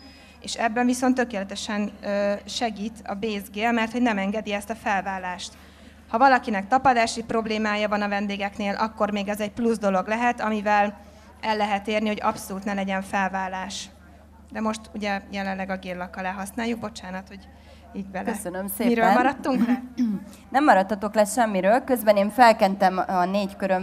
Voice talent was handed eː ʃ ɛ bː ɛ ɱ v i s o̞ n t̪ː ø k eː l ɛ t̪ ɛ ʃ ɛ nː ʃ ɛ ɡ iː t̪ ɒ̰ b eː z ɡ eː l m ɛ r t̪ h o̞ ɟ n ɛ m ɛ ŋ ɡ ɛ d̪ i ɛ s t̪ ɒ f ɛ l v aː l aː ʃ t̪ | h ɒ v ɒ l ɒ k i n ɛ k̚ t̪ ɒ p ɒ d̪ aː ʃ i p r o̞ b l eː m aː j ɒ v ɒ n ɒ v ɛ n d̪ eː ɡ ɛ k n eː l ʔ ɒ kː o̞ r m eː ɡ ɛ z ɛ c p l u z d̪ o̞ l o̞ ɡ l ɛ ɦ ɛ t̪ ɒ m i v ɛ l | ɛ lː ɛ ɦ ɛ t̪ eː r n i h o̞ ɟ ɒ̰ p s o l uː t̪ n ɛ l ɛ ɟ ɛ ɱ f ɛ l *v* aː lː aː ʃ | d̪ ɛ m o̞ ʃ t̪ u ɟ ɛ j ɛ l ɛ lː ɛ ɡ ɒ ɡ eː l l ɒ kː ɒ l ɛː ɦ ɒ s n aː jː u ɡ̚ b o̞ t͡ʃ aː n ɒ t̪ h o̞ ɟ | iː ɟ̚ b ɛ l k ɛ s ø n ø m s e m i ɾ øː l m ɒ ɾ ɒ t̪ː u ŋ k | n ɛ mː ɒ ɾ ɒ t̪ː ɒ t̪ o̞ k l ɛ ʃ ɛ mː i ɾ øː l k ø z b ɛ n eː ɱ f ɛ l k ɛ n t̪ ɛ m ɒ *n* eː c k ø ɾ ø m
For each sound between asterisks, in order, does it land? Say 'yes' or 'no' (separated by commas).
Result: yes, yes